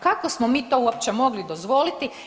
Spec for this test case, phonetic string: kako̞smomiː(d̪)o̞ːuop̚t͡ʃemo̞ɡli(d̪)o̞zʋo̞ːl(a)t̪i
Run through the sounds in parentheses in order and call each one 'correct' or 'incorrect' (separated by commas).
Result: incorrect, correct, incorrect